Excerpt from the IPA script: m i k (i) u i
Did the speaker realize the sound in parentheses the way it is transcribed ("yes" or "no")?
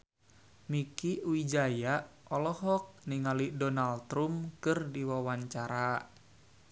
yes